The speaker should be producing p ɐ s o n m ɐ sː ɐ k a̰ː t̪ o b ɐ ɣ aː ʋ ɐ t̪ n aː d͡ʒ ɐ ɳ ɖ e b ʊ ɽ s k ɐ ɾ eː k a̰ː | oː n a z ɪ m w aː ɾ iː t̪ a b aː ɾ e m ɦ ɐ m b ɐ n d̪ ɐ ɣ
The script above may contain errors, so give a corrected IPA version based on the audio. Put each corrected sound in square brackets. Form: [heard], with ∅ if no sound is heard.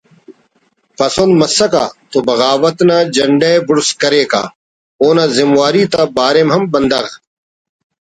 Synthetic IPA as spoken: p ɐ s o n m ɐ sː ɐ k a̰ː t̪ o b ɐ ɣ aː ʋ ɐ t̪ n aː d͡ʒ ɐ ɳ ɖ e b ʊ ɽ s k ɐ ɾ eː k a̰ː | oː n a z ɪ m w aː ɾ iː t̪ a b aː ɾ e m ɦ ɐ m b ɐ n d̪ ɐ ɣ